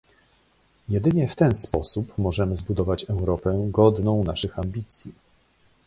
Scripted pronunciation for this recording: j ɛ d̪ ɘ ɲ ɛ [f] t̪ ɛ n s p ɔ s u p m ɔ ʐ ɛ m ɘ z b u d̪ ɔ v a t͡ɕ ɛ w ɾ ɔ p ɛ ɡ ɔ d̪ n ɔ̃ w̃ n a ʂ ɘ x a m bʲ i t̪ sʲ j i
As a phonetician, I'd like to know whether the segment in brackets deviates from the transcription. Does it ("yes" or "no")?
no